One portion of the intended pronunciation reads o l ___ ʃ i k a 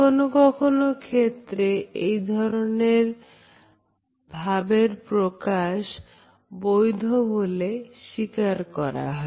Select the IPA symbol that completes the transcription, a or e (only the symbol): e